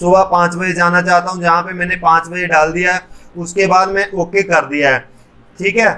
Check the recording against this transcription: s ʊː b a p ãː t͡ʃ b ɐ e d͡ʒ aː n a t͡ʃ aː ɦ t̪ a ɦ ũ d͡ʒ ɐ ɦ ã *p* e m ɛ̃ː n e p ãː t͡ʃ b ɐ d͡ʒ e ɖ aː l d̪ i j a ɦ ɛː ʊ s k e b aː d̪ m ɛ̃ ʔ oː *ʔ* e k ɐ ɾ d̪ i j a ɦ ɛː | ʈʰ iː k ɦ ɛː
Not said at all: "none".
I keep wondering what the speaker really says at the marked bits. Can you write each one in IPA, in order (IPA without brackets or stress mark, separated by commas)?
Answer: p, k